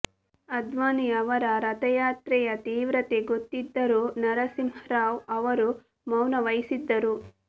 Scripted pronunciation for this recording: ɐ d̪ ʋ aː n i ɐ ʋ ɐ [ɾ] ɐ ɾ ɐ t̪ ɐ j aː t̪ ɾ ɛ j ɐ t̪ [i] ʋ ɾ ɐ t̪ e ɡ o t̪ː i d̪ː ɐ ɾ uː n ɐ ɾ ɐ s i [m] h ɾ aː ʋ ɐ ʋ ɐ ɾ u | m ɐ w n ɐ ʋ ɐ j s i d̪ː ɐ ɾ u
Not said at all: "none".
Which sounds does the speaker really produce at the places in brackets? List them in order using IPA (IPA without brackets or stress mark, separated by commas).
ɾ, iː, m